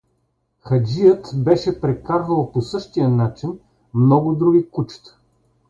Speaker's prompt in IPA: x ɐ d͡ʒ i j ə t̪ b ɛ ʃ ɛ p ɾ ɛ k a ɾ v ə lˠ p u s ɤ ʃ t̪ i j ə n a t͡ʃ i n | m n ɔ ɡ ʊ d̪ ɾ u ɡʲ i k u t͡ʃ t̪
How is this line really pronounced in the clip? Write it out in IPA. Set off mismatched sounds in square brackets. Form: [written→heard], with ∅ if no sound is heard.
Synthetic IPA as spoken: x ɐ d͡ʒ i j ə t̪ b ɛ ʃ ɛ p ɾ ɛ k a ɾ v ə lˠ p [u→o] s ɤ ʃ t̪ i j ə n a t͡ʃ i n | m n ɔ ɡ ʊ d̪ ɾ u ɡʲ i k u t͡ʃ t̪